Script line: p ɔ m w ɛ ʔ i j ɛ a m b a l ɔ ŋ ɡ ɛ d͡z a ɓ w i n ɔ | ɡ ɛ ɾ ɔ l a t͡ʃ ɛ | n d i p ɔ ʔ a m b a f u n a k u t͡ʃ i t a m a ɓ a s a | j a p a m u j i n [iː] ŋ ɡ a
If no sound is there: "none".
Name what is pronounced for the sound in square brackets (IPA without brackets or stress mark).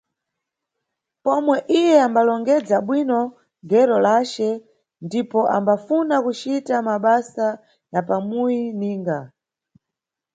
iː